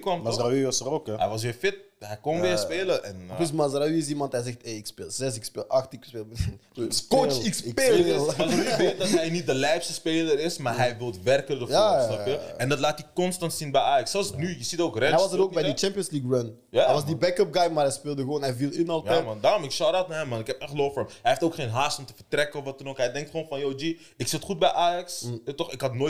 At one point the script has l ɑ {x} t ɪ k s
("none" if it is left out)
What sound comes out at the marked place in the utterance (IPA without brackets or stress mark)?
x